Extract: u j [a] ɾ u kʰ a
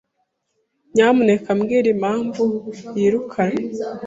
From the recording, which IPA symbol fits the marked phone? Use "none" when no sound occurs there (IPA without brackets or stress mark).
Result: i